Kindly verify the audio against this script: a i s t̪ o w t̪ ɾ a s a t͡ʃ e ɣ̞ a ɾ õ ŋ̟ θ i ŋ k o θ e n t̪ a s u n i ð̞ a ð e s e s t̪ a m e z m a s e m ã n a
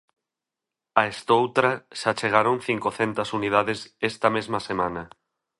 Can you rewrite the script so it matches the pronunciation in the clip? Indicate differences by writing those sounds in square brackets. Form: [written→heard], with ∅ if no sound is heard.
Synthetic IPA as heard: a [i→e] s t̪ o w t̪ ɾ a [s→ʃ] a t͡ʃ e ɣ̞ a ɾ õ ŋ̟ θ i ŋ k o θ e n t̪ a s u n i ð̞ a ð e s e s t̪ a m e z m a s e m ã n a